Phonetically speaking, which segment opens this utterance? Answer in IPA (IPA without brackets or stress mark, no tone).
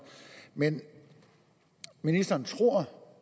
m